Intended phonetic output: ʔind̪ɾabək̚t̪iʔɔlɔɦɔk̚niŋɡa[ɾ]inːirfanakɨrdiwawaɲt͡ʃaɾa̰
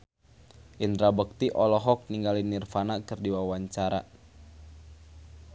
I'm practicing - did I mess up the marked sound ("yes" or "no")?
yes